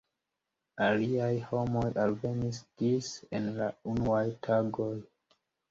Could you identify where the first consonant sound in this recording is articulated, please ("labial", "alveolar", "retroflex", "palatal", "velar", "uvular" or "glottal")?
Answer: alveolar